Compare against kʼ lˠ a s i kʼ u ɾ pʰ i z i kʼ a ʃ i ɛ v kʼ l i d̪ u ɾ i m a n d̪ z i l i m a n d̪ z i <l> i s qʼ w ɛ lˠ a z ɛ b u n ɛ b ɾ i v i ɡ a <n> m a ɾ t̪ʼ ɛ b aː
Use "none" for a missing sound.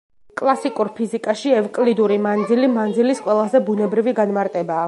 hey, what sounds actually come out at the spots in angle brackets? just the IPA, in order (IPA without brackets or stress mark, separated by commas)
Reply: l, n